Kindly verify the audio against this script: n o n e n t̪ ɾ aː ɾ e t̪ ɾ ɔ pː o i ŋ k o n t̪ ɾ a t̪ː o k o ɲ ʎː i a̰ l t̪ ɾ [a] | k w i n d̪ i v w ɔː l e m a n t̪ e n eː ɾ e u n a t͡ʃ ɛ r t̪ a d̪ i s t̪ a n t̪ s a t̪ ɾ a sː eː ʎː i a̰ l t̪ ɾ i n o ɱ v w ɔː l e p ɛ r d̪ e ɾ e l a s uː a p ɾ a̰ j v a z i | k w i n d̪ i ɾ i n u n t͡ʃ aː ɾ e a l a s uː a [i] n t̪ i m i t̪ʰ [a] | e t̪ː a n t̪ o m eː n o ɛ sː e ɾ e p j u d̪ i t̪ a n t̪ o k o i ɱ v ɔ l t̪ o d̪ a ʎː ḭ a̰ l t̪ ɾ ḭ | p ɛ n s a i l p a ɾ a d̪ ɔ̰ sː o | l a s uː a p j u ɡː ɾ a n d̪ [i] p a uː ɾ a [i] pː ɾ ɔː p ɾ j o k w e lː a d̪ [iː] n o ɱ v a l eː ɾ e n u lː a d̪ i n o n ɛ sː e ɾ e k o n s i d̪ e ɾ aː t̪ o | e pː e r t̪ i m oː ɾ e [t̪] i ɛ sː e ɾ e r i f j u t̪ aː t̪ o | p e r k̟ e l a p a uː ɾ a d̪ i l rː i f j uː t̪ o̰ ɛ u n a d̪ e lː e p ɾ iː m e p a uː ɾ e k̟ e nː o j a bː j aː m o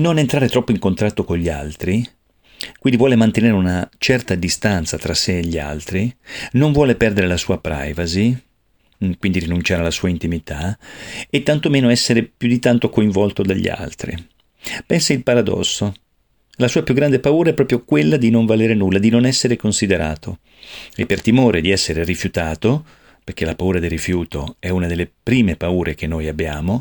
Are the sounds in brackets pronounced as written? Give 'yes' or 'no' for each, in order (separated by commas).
no, yes, yes, no, no, no, no